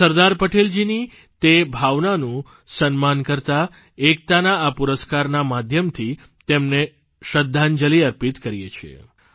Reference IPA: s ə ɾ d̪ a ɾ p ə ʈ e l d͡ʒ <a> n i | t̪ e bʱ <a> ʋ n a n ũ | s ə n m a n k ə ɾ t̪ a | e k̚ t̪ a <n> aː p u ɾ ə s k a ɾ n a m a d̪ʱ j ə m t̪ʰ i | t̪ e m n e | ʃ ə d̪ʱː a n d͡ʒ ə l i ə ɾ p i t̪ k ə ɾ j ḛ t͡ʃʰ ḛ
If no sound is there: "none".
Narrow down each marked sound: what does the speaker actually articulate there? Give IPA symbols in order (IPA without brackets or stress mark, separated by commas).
i, a, n